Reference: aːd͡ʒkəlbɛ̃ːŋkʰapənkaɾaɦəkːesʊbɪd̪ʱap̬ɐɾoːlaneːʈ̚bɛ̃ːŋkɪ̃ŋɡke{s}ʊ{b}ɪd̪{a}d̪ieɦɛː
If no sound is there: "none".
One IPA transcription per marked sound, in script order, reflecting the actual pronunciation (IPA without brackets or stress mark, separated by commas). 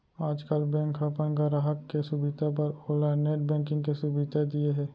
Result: s, b, a